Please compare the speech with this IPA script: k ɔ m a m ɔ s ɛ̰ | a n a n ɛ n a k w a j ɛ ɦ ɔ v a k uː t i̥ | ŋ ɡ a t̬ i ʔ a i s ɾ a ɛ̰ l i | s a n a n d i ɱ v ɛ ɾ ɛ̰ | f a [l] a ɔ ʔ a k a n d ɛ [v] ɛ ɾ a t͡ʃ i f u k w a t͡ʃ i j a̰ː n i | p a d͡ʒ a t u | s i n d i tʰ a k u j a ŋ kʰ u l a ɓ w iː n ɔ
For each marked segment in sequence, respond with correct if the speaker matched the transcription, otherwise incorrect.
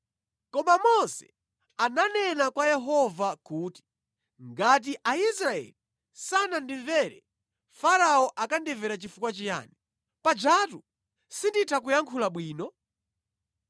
incorrect, correct

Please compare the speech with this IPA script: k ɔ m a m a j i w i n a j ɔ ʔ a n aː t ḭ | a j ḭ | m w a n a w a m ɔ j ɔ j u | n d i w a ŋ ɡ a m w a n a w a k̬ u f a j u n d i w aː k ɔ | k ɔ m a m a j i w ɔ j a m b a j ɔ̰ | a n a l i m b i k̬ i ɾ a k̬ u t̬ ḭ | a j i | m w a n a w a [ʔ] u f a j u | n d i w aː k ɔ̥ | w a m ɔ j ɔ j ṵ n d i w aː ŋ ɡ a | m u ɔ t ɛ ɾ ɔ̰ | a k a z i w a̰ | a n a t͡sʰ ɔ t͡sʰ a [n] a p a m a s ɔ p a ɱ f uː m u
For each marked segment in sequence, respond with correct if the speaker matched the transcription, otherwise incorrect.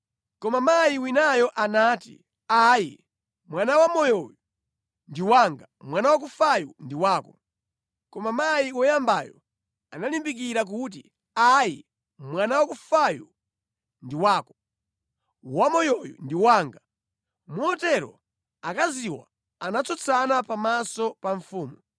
incorrect, correct

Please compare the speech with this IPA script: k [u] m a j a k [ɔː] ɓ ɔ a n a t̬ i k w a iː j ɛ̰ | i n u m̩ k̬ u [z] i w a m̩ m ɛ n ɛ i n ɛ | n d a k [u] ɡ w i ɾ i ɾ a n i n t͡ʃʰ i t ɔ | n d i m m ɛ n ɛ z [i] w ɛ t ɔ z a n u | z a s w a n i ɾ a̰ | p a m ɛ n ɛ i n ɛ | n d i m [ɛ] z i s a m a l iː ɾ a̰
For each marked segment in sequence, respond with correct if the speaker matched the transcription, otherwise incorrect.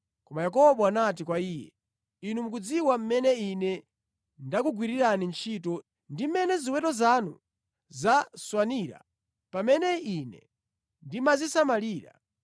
incorrect, incorrect, incorrect, correct, correct, incorrect

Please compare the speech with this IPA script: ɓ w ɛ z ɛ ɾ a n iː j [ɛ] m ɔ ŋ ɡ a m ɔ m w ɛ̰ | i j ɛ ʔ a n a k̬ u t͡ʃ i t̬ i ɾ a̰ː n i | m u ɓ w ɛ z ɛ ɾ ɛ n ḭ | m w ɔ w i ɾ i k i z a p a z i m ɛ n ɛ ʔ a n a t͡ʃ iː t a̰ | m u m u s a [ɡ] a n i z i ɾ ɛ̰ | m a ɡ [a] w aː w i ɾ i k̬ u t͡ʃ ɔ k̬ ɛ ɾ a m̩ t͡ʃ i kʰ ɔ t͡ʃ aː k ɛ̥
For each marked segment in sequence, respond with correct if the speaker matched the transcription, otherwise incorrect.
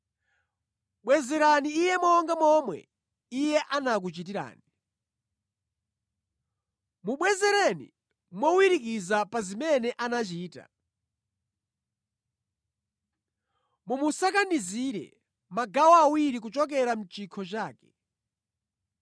correct, incorrect, correct

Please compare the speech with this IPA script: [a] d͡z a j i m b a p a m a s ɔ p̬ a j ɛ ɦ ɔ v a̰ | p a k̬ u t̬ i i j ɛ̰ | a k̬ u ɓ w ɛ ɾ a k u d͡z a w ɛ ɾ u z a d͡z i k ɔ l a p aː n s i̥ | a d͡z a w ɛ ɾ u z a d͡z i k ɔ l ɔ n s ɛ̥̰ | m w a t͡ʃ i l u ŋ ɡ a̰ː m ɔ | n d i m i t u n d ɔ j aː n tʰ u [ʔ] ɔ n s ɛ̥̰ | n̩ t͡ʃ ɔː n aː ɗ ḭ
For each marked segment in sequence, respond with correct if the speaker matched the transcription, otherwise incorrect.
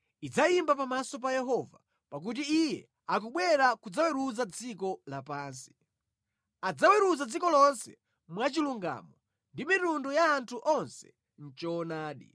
incorrect, correct

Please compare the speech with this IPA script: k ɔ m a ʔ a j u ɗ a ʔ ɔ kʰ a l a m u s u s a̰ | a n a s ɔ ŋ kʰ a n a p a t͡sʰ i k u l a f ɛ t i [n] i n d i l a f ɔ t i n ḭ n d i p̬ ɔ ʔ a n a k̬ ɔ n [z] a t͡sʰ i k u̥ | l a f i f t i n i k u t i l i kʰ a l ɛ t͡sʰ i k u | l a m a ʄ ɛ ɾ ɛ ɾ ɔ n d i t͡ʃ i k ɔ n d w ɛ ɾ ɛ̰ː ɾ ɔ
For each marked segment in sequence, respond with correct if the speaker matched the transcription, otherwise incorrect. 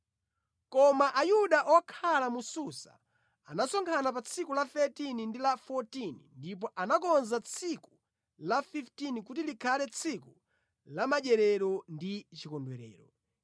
correct, correct

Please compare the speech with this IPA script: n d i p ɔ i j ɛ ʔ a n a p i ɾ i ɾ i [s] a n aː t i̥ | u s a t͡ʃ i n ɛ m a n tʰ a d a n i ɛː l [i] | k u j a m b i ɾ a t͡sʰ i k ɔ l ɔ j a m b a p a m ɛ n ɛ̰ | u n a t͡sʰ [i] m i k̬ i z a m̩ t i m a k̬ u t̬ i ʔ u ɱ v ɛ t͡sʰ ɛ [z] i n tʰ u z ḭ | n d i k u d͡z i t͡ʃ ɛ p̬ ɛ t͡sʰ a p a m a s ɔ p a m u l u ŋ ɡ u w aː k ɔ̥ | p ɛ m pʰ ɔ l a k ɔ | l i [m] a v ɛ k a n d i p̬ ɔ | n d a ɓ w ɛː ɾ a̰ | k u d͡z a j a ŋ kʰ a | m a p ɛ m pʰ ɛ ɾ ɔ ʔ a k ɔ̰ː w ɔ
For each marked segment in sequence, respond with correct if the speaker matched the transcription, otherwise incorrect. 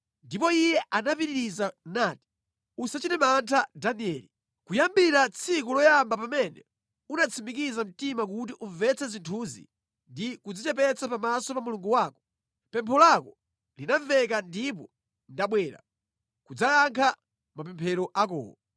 incorrect, correct, correct, correct, incorrect

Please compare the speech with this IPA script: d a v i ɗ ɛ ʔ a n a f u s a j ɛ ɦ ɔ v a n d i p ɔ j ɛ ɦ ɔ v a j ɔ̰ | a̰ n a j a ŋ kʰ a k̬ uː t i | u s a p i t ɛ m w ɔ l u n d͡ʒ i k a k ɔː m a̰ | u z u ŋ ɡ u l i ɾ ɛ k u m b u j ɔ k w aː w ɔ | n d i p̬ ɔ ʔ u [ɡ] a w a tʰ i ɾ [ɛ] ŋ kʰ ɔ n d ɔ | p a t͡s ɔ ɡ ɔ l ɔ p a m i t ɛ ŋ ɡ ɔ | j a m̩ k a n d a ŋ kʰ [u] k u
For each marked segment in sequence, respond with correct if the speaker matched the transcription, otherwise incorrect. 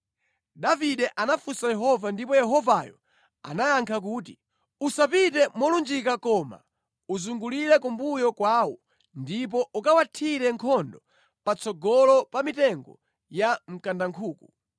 incorrect, correct, incorrect

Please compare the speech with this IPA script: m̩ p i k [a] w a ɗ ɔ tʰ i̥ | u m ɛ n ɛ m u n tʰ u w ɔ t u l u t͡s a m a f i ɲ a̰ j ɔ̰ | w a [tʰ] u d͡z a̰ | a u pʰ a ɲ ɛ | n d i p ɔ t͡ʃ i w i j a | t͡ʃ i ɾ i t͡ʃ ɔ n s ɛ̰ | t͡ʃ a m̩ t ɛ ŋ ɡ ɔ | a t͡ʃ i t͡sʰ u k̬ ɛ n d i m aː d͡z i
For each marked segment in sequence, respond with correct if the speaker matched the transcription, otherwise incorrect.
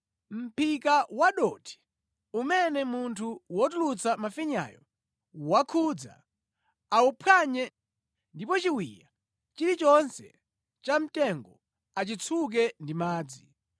correct, incorrect

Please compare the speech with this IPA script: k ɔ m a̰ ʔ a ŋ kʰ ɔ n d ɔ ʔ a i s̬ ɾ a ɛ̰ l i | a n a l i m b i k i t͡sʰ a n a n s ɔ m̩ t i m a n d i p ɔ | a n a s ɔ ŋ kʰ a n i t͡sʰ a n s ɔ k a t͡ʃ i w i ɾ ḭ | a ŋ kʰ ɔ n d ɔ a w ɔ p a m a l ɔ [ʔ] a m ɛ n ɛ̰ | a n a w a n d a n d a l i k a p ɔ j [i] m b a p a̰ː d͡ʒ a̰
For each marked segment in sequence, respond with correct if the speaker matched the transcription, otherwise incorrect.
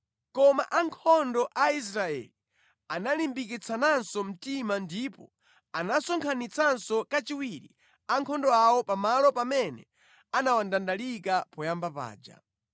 incorrect, incorrect

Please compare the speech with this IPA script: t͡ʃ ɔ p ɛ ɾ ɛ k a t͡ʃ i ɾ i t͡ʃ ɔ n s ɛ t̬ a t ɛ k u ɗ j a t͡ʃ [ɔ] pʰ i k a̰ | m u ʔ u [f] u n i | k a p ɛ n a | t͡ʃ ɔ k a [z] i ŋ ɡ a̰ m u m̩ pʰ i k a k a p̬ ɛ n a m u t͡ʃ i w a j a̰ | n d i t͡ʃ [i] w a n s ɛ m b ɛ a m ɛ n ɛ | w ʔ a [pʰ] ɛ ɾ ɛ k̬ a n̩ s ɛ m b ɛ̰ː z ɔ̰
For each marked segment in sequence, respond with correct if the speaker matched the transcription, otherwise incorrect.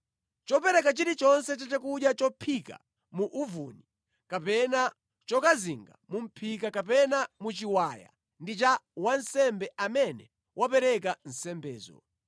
correct, incorrect, correct, incorrect, incorrect

